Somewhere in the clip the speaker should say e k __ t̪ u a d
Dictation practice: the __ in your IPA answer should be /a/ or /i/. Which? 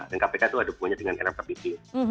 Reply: a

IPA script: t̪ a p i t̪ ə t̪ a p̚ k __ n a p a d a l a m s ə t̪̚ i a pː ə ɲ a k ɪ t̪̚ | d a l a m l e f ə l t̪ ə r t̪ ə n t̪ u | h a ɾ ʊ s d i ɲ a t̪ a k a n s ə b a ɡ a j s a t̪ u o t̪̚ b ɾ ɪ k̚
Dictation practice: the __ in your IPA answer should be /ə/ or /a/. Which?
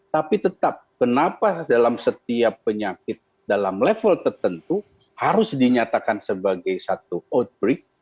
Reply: ə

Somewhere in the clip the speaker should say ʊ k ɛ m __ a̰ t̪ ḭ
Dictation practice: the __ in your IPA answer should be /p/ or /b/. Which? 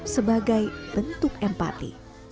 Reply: p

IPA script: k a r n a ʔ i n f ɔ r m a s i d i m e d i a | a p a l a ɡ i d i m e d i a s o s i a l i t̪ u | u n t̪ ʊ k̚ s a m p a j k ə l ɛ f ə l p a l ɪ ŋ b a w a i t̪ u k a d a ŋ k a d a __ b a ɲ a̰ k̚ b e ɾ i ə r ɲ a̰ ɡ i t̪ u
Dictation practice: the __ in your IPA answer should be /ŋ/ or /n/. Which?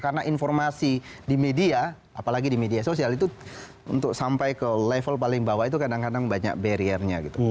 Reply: ŋ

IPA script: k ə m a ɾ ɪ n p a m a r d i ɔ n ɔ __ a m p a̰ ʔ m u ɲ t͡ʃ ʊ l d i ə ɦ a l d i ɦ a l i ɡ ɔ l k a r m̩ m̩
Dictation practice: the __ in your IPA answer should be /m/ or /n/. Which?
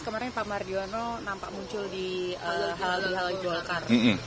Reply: n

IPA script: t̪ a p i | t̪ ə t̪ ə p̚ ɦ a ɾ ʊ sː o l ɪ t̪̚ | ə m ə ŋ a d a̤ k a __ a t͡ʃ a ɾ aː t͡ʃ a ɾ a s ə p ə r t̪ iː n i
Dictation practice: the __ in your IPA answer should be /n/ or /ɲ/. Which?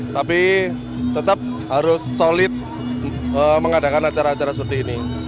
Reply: n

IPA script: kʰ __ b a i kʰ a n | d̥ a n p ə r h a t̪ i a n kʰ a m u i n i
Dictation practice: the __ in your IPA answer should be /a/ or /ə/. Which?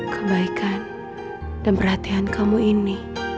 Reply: ə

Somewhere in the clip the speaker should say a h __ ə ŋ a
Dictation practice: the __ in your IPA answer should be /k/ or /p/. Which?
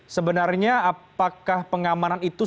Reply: p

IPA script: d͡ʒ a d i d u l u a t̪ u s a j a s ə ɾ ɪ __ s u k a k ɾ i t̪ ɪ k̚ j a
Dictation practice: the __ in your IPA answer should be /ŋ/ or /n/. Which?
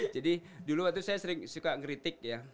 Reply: ŋ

